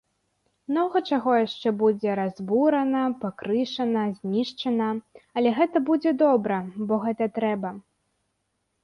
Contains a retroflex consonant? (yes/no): yes